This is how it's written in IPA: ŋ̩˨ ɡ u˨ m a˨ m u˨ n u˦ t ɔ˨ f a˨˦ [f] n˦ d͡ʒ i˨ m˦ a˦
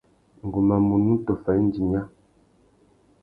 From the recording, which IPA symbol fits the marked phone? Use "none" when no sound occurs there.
none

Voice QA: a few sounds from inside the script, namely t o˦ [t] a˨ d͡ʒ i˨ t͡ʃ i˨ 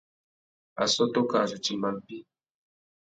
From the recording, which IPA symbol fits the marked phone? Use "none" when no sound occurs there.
k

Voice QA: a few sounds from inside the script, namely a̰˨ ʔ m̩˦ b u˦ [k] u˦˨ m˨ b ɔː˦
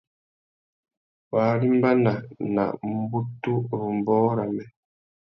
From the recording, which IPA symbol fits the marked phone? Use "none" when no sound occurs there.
t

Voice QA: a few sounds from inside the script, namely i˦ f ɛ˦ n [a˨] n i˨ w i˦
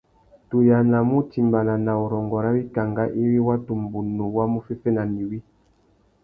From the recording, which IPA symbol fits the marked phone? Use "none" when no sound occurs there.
a˨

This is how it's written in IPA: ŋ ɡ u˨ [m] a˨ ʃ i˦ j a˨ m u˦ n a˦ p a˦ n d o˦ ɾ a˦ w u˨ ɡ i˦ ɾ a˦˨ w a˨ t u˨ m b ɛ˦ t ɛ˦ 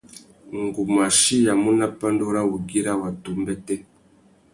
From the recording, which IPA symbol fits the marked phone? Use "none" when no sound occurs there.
m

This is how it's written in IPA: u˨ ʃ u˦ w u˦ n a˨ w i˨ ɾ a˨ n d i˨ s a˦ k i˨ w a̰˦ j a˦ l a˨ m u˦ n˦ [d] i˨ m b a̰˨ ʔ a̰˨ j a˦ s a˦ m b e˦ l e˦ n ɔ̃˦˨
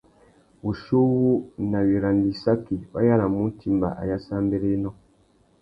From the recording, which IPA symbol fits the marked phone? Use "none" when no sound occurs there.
t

